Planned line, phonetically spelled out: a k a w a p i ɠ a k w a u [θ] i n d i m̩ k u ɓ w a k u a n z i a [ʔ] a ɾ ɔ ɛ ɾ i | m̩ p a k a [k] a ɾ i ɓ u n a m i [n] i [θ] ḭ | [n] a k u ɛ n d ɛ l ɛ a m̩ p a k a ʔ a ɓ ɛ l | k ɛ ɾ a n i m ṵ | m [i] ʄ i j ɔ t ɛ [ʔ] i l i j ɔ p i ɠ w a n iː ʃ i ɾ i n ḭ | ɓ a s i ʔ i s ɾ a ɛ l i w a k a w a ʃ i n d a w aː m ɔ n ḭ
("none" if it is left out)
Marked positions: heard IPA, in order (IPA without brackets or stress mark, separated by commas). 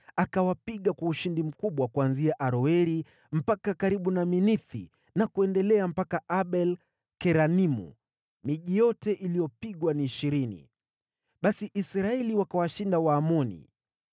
ʃ, ʔ, k, n, θ, n, i, ʔ